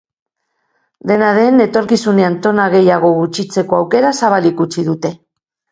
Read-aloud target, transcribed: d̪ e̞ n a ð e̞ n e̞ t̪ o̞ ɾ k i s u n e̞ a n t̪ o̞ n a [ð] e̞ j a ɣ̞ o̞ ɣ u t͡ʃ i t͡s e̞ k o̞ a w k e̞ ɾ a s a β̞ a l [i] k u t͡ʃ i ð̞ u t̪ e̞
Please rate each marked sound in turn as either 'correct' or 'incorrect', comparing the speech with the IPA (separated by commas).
incorrect, correct